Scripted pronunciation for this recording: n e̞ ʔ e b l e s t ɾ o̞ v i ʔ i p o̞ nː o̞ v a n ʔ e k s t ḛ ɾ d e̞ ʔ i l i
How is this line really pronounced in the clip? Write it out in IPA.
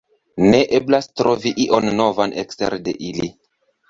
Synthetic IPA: n e̞ ʔ e b l a s t ɾ o̞ v i ʔ i ʔ o̞ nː o̞ v a n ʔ e k s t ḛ ɾ d e̞ ʔ i l i